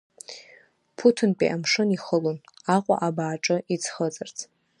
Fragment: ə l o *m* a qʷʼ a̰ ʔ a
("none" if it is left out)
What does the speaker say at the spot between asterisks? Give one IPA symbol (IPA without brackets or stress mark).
n